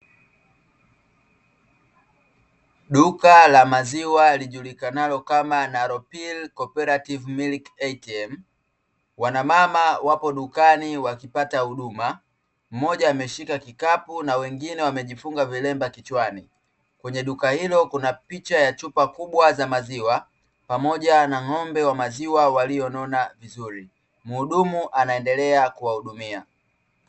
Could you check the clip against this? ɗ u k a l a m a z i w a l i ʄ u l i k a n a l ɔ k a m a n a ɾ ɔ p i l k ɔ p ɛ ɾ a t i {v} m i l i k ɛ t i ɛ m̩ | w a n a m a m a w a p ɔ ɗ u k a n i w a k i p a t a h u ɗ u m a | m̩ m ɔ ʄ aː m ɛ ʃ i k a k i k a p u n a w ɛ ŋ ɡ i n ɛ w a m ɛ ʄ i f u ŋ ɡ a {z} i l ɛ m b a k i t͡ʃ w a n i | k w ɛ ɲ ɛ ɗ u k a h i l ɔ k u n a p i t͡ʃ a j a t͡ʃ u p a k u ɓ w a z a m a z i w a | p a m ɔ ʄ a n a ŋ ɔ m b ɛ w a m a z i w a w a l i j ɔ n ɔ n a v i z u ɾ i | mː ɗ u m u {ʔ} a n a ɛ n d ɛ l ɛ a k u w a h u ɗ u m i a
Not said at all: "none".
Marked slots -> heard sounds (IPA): v, v, ʔ

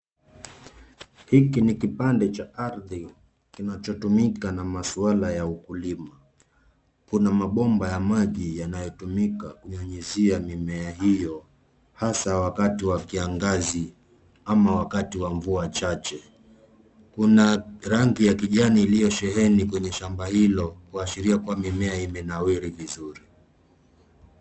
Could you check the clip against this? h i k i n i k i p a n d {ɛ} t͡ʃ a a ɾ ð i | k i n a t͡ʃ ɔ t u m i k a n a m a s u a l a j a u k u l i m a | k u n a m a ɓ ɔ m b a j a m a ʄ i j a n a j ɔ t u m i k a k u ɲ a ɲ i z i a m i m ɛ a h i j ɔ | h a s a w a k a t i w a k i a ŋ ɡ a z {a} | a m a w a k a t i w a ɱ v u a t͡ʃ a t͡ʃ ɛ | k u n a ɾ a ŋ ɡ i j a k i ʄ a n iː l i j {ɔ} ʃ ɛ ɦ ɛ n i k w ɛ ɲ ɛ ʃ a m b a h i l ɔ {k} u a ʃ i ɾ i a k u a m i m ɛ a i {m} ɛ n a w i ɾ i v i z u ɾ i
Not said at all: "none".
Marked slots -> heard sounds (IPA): ɛ, i, ɔ, k, m

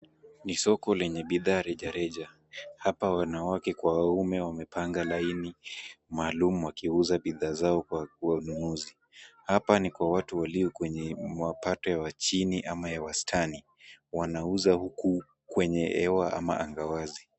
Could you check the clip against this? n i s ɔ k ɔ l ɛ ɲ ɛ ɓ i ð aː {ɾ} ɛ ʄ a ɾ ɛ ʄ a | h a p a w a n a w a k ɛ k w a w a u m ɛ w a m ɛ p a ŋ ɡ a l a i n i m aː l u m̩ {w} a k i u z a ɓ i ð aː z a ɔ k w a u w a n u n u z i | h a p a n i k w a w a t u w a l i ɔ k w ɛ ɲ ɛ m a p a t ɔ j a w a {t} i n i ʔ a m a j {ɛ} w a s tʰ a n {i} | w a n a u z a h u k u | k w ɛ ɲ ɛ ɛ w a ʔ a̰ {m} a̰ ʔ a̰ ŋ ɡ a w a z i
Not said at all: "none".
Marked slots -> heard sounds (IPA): ɾ, w, t͡ʃ, a, i, m

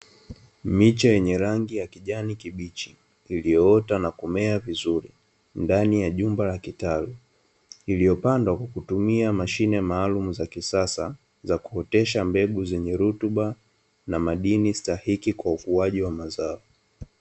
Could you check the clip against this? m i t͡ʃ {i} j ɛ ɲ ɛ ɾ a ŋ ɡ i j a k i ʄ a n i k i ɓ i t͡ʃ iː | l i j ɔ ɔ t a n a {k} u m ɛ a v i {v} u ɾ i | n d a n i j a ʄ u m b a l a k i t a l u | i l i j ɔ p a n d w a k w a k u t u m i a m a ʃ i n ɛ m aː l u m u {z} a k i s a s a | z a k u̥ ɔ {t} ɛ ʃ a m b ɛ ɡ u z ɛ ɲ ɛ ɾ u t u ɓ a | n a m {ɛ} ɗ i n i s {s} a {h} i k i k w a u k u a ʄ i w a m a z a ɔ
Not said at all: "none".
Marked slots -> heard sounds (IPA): a, k, z, z, t, a, t, h

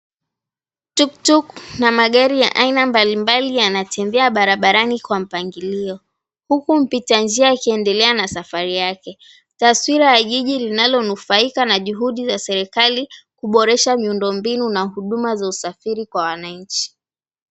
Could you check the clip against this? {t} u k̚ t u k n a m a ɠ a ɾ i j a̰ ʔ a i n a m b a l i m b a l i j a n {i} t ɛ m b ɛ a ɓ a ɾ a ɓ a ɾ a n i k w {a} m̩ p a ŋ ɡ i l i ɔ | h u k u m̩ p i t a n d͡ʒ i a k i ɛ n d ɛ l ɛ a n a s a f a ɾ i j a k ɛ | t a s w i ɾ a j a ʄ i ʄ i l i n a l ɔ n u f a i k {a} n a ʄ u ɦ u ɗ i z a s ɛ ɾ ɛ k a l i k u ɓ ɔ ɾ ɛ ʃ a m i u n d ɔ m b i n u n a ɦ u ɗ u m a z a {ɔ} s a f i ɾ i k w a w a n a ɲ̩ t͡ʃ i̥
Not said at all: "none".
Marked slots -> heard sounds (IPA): t, a, a, a, u

